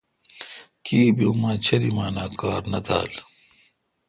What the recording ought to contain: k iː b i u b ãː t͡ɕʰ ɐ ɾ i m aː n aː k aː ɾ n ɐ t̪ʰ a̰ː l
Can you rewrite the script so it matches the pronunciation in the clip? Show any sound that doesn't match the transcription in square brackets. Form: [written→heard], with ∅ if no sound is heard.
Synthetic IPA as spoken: k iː b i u [b→m] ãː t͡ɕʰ ɐ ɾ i m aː n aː k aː ɾ n ɐ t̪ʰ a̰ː l